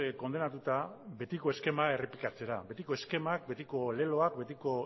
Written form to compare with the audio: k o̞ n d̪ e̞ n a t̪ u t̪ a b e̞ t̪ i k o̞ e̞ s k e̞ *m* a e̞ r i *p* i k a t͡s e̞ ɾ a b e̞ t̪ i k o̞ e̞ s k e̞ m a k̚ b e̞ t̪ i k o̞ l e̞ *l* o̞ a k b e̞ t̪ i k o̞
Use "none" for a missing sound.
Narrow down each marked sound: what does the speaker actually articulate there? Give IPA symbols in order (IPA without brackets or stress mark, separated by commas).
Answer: m, p, l